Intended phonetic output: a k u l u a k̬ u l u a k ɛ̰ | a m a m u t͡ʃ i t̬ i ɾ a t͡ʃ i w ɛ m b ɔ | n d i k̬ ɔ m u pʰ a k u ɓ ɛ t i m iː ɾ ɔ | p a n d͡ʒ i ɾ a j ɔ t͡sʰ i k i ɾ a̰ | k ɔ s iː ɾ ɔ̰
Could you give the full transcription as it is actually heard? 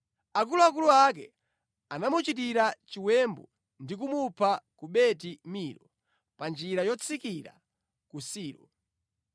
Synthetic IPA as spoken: a k u l u a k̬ u l u a k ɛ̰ | a n a m u t͡ʃ i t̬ i ɾ a t͡ʃ i w ɛ m b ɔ | n d i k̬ u m u pʰ a k u ɓ ɛ t i m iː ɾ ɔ | p a n d͡ʒ i ɾ a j ɔ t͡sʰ i k i ɾ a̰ | k u s iː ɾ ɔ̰